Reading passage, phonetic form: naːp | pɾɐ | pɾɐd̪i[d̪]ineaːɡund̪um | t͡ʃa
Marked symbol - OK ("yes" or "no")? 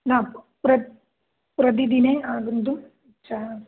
yes